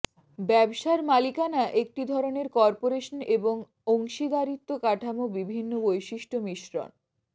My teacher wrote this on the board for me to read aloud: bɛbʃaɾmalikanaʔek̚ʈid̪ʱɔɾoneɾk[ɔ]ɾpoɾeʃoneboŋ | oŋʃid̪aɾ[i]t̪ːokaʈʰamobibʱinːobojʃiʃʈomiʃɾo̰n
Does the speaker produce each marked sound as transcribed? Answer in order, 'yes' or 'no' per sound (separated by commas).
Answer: yes, yes